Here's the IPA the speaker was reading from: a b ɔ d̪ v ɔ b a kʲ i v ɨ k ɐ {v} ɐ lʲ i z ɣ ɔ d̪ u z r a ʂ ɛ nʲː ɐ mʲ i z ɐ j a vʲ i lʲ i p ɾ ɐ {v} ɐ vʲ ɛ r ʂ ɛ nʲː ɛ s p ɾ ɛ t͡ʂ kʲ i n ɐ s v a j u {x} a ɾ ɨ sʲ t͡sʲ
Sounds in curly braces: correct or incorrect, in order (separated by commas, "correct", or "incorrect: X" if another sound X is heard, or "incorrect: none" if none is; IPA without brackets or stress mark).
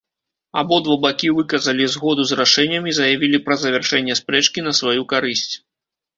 incorrect: z, incorrect: z, incorrect: k